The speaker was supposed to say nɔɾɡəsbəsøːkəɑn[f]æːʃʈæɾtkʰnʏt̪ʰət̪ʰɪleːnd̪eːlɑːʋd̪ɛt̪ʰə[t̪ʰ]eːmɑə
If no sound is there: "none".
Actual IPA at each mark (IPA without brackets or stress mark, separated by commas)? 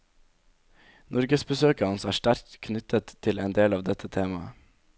s, t̪ʰ